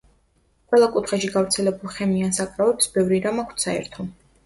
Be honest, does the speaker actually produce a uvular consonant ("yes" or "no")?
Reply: yes